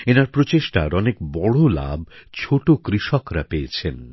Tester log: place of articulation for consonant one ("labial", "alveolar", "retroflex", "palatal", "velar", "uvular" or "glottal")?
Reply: alveolar